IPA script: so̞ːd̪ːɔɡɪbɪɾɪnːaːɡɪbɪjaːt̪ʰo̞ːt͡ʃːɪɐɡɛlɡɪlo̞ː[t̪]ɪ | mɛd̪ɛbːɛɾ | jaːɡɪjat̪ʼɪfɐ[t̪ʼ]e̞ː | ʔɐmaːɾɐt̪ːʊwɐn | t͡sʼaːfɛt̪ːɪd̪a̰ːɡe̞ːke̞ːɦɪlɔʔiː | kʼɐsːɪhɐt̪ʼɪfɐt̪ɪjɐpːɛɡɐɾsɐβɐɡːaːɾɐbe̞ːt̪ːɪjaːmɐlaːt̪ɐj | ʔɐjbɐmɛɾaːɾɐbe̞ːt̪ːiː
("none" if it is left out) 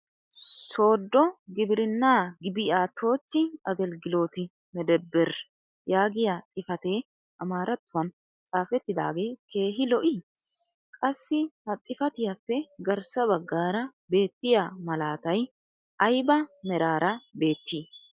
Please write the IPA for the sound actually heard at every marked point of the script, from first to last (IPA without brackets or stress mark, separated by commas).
t̪, t̪